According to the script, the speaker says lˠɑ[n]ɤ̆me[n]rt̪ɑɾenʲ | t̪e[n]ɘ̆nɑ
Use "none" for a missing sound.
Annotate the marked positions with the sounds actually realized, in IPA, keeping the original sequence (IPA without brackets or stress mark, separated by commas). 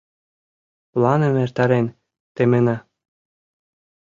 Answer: n, none, m